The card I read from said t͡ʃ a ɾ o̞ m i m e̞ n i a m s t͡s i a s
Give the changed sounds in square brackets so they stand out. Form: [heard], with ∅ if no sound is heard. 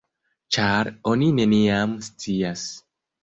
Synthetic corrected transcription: t͡ʃ a ɾ o̞ [n] i [n] e̞ n i a m s t͡s i a s

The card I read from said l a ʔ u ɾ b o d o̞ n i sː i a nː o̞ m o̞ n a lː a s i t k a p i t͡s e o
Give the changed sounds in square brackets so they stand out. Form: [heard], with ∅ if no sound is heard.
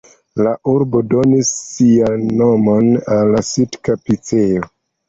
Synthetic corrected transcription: l a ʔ u ɾ b o d o̞ n i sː i a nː o̞ m o̞ n a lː a s i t k a p i t͡s e o

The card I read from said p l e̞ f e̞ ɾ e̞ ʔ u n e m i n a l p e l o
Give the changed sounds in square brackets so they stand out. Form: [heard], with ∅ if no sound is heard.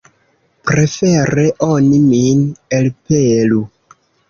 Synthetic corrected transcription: p [ɾ] e̞ f e̞ ɾ e̞ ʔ [o] n [i] m i n [e] l p e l [u]

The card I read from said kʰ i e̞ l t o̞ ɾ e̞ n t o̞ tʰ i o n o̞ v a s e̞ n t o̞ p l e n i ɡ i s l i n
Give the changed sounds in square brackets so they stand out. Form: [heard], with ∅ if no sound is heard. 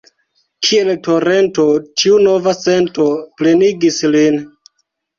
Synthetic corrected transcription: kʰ i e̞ l t o̞ ɾ e̞ n t o̞ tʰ i [u] n o̞ v a s e̞ n t o̞ p l e n i ɡ i s l i n

